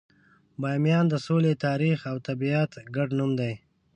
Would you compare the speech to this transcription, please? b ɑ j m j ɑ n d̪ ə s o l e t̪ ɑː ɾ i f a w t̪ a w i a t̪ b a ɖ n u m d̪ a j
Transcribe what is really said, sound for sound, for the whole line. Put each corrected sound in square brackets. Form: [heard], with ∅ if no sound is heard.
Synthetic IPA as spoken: b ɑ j m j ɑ n d̪ ə s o l e t̪ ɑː ɾ i [x] a w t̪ a [b] i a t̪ [ɡ] a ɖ n u m d̪ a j

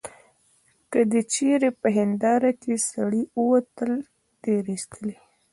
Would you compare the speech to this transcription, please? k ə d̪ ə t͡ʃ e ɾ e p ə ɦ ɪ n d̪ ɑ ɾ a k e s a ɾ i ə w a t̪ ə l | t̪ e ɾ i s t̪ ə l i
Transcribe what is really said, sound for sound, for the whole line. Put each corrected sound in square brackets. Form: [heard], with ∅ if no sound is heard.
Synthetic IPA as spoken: k ə d̪ ə t͡ʃ e ɾ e p ə ɦ ɪ n d̪ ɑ ɾ a k e s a [ɽ] i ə w a t̪ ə l | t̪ e ɾ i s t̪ ə l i

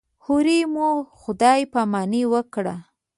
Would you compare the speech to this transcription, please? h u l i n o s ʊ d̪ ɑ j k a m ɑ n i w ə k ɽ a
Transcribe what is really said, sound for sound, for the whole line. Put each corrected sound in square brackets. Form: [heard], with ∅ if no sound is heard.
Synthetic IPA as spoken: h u [ɾ] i [m] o [x] ʊ d̪ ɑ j [p] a m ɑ n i w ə k ɽ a

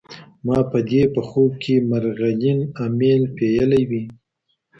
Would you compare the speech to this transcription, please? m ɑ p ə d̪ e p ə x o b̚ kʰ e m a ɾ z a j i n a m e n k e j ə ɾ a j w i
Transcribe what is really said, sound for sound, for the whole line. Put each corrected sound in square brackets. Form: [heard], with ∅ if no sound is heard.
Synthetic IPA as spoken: m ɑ p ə d̪ e p ə x o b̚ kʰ e m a ɾ [ɣ] a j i n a m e n [p] e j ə [l] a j w i

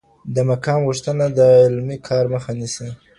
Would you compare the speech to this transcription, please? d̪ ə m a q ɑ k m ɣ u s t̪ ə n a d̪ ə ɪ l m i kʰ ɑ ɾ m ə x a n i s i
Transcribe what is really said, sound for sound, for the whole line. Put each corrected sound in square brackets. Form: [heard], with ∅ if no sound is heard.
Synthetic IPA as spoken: d̪ ə m a [k] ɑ [∅] m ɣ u [ʂ] t̪ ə n a d̪ ə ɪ l m i kʰ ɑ ɾ m ə x a n i s i

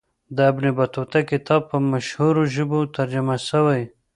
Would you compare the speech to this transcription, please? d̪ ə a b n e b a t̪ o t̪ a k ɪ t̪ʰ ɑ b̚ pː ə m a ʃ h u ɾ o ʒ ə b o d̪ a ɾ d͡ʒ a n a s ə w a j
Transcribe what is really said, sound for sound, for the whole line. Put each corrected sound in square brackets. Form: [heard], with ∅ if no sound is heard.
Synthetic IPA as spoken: d̪ ə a b n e b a t̪ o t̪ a k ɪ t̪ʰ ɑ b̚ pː ə m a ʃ h u ɾ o ʒ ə b o [t̪] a ɾ d͡ʒ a [m] a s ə w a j

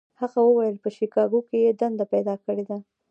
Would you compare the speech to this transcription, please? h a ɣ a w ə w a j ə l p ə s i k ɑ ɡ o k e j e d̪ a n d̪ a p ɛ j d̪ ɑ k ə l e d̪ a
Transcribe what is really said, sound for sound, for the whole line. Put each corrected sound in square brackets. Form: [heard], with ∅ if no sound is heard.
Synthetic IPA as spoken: h a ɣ a w ə w a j ə l p ə [ʃ] i k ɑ ɡ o k e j e d̪ a n d̪ a p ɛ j d̪ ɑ k ə [ɽ] e d̪ a

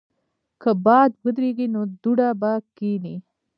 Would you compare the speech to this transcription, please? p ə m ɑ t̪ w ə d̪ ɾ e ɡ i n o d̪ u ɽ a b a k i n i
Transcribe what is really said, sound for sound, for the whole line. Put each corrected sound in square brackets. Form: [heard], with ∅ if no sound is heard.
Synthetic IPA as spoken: [k] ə [b] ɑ [d̪] w ə d̪ ɾ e ɡ i n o d̪ u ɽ a b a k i n i

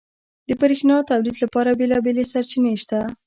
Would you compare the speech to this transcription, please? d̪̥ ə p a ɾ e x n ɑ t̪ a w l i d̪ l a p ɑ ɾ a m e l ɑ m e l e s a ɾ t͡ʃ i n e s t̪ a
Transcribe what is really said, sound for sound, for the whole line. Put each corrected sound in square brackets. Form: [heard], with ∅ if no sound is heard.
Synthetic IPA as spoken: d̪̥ ə p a ɾ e x n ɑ t̪ a w l i d̪ l a p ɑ ɾ a [b] e l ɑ [b] e l e s a ɾ t͡ʃ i n e [ʃ] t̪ a

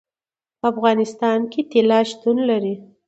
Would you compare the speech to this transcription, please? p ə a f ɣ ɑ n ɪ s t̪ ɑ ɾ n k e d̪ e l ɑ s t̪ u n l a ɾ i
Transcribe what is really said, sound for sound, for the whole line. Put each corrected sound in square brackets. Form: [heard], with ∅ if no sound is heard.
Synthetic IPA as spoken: p ə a f ɣ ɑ n ɪ s t̪ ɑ [∅] n k e [t̪] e l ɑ [ʃ] t̪ u n l a ɾ i

